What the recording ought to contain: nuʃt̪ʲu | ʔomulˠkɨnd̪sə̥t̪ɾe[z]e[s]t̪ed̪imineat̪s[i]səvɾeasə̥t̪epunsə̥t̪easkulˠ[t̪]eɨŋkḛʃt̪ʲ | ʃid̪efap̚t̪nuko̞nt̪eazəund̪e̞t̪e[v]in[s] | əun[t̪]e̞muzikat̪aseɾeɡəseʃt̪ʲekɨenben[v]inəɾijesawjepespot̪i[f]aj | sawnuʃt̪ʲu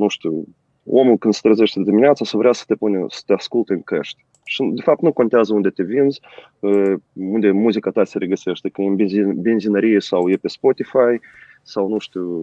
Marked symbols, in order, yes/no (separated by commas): yes, no, no, yes, yes, no, no, no, yes